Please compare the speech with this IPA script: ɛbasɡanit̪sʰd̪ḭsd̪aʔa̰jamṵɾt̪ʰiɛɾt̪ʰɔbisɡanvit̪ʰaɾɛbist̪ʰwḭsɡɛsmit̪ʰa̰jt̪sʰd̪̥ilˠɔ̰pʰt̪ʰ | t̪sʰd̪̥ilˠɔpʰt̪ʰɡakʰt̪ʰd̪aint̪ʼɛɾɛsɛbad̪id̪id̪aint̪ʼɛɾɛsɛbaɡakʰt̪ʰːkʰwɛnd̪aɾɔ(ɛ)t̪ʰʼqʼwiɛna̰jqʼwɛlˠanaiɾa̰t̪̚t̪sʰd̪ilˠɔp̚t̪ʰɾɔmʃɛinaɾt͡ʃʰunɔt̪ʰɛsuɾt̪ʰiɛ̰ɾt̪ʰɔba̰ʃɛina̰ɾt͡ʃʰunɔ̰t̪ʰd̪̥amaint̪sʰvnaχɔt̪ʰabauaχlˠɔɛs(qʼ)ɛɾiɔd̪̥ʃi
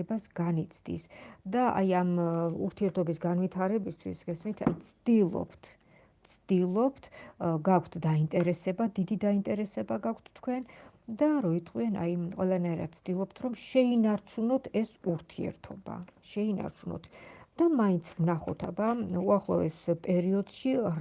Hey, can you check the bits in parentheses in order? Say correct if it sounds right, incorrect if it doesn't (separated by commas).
incorrect, incorrect